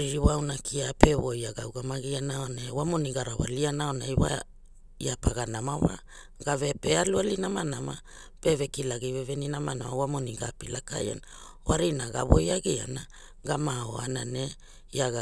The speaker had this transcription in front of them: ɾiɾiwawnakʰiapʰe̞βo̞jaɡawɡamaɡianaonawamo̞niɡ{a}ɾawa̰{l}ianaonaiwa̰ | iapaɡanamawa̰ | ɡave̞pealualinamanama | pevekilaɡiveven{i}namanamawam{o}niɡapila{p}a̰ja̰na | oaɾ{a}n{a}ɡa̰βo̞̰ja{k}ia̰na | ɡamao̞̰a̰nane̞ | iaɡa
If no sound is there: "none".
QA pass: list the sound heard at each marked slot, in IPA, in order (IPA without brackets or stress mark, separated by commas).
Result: a, l, i, o, k, i, a, ɡ